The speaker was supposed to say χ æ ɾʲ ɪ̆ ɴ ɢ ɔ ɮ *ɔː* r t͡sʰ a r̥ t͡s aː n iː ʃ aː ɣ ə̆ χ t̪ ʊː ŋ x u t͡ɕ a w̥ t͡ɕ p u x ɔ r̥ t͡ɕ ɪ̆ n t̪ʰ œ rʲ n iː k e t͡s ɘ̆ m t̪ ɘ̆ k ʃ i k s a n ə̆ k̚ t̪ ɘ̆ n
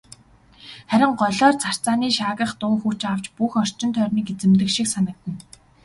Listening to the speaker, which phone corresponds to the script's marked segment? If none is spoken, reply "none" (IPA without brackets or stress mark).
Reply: ɔː